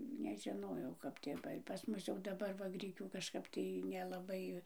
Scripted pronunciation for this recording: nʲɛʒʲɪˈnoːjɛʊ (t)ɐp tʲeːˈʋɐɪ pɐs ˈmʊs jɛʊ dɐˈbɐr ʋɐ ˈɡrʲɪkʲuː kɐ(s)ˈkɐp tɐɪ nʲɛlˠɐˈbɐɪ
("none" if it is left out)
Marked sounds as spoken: k, ʃ

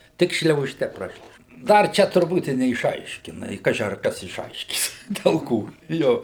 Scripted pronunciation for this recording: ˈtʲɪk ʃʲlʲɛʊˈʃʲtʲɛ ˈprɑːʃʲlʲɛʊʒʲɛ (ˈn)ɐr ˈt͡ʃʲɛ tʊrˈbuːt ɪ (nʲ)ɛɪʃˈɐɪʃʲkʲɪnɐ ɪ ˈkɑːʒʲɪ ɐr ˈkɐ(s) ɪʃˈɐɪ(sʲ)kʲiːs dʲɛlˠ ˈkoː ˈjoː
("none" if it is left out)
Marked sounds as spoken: d, nʲ, s, ʃʲ

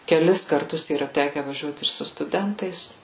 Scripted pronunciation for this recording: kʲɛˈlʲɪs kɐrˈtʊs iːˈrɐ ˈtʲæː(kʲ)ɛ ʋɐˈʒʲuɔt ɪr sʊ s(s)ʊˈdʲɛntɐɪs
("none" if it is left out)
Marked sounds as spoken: kʲ, t

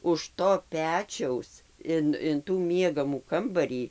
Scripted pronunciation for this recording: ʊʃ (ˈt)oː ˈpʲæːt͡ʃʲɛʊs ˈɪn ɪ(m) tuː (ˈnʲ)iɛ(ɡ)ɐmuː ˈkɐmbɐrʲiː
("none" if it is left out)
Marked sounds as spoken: t, n, mʲ, ɡ

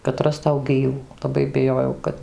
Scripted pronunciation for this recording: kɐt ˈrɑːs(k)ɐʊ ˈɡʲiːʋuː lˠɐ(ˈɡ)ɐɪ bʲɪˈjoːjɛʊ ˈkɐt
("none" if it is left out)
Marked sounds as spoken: t, b

